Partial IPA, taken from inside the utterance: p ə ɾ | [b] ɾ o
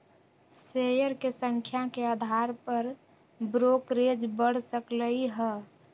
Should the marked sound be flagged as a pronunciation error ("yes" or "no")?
no